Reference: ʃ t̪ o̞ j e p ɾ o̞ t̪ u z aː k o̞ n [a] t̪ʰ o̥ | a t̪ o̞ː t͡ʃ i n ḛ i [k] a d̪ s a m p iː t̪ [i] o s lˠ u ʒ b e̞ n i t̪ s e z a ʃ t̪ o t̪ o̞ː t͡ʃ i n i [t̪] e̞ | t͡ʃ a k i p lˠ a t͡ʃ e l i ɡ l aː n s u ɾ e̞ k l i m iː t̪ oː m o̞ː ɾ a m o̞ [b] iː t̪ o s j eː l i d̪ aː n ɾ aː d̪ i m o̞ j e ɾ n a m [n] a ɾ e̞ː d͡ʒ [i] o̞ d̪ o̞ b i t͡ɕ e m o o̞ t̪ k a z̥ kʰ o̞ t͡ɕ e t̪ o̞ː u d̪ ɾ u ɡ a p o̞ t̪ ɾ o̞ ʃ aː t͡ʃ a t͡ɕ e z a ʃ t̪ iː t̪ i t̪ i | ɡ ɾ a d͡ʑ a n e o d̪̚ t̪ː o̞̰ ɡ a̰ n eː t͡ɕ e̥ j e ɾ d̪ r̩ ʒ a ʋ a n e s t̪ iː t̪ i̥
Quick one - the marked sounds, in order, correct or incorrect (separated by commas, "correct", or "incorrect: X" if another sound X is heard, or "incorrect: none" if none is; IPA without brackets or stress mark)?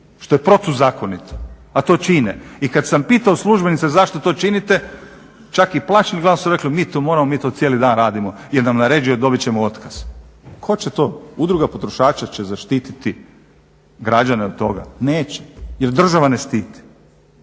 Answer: incorrect: i, correct, incorrect: a, correct, incorrect: m, correct, correct